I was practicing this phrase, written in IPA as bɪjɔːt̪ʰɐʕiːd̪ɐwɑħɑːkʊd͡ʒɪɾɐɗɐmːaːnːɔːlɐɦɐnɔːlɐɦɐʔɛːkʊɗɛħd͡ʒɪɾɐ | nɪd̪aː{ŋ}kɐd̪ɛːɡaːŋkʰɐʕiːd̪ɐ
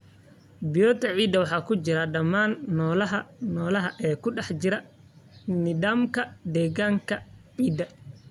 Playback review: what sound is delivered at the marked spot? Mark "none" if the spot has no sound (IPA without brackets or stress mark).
m